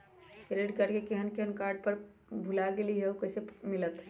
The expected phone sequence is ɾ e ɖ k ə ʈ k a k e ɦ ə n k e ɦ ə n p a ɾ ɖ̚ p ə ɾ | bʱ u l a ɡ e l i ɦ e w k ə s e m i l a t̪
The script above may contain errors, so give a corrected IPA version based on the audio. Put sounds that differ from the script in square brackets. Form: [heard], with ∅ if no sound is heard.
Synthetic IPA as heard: ɾ e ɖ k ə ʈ k [e] k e ɦ ə n k e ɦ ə n [k] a ɾ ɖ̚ p ə ɾ | bʱ u l a ɡ e l i ɦ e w k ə s e m i l [ə] t̪